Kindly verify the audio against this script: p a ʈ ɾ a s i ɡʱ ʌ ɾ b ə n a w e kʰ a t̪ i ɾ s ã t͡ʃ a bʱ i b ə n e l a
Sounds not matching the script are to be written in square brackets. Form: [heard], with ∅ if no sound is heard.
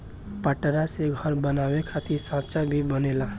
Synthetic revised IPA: p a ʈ ɾ a s [e] ɡʱ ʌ ɾ b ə n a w e kʰ a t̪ i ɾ s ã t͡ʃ a bʱ i b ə n e l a